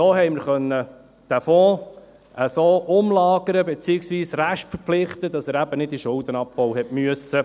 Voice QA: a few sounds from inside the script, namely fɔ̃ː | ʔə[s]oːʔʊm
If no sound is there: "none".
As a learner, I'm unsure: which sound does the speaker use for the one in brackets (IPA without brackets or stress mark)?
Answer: s